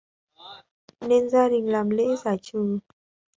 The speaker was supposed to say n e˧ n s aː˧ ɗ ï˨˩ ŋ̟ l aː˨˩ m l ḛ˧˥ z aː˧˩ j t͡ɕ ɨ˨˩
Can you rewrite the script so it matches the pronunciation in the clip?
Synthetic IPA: n e˧ n z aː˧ ɗ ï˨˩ ŋ̟ l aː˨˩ m l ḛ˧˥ z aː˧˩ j t͡ɕ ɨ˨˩

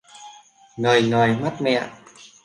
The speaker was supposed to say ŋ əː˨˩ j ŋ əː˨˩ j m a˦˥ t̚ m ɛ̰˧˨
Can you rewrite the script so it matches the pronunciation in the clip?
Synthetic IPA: ŋ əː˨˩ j ŋ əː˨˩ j m a˦˥ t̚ m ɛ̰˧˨

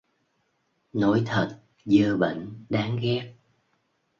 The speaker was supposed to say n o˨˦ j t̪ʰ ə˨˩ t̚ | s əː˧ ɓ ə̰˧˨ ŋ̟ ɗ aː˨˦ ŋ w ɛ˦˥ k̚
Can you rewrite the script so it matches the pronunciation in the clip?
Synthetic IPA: n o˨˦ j t̪ʰ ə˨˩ t̚ | z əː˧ ɓ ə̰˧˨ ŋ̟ ɗ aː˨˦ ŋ ɣ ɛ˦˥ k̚

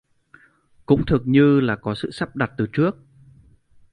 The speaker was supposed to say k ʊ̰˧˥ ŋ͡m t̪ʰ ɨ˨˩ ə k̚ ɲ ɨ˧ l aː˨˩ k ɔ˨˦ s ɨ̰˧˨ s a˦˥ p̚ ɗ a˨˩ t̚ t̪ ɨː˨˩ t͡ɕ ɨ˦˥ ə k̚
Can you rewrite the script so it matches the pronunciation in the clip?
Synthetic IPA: k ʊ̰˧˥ ŋ͡m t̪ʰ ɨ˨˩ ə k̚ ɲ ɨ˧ l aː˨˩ k ɔ˨˦ s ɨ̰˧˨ s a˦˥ p̚ ɗ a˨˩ t̚ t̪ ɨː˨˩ t͡ɕ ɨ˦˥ ə k̚

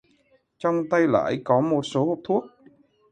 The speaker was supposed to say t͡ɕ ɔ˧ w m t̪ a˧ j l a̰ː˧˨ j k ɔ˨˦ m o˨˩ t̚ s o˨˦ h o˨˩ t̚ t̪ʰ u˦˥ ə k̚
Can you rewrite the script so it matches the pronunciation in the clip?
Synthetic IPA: t͡ɕ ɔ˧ w ŋ͡m t̪ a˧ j l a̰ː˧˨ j k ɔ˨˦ m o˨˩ t̚ s o˨˦ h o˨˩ p̚ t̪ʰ u˦˥ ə k̚

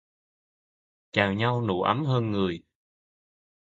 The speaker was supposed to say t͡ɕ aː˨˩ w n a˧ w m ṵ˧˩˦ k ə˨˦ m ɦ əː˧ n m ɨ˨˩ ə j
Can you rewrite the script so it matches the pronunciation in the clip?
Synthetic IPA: t͡ɕ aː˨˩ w ɲ a˧ w n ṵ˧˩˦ ʔ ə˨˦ m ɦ əː˧ n ŋ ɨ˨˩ ə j

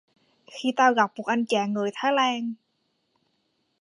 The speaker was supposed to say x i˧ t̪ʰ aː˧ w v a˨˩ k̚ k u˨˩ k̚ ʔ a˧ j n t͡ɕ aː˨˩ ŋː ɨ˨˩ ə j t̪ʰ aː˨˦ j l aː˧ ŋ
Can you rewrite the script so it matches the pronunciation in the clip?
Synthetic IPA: x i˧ t̪ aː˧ w ɣ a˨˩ p̚ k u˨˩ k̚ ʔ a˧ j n t͡ɕ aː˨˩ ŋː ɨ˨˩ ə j t̪ʰ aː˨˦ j l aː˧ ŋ

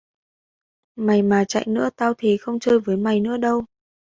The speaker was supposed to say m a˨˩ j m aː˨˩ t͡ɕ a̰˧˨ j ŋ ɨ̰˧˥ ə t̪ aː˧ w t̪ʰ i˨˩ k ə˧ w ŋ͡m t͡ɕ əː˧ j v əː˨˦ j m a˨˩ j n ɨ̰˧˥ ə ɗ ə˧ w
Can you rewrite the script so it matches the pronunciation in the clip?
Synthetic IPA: m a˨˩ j m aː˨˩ t͡ɕ a̰˧˨ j n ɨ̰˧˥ ə t̪ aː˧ w t̪ʰ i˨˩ x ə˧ w ŋ͡m t͡ɕ əː˧ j v əː˨˦ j m a˨˩ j n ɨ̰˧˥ ə ɗ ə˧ w

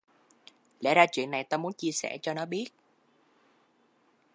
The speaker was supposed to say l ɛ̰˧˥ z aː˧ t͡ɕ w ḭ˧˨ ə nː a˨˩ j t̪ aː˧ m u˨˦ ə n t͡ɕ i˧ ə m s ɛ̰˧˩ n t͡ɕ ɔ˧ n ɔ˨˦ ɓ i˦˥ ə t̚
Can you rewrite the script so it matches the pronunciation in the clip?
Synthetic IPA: l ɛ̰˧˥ z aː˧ t͡ɕ w ḭ˧˨ ə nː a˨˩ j t̪ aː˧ m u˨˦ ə n t͡ɕ i˧ ə s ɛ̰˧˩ t͡ɕ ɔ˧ n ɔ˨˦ ɓ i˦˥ ə t̚

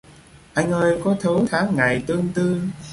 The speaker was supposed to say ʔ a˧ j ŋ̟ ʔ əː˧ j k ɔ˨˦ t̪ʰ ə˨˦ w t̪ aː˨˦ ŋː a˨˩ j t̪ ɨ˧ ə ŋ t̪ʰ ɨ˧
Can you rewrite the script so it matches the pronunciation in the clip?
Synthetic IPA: ʔ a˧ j ŋ̟ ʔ əː˧ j k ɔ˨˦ t̪ʰ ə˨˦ w t̪ʰ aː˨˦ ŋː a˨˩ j t̪ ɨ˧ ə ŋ t̪ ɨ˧

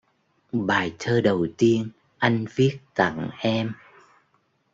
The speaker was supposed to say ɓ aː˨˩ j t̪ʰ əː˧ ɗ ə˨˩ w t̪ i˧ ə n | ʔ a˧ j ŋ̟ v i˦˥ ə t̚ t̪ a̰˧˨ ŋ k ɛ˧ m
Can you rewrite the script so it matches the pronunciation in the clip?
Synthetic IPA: ɓ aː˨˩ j t̪ʰ əː˧ ɗ ə˨˩ w t̪ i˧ ə n | ʔ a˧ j ŋ̟ v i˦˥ ə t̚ t̪ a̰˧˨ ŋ ʔ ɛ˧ m

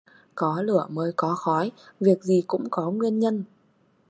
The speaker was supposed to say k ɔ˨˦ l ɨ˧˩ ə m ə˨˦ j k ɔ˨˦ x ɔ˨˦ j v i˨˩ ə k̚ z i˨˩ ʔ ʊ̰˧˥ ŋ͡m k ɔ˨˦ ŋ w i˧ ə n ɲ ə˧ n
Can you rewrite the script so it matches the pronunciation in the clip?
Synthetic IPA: k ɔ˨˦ l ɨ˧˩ ə m əː˨˦ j k ɔ˨˦ x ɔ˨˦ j v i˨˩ ə k̚ z i˨˩ k ʊ̰˧˥ ŋ͡m k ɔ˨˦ ŋ w i˧ ə n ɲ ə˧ n

